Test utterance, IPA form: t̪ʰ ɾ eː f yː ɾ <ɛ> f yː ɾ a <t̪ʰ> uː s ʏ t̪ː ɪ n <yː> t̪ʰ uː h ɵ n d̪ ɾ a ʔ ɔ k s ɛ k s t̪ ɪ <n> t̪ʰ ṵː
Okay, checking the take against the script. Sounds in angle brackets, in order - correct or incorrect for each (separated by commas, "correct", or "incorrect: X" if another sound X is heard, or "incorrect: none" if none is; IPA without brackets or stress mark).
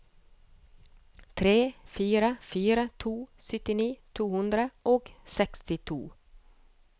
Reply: incorrect: a, correct, incorrect: iː, incorrect: none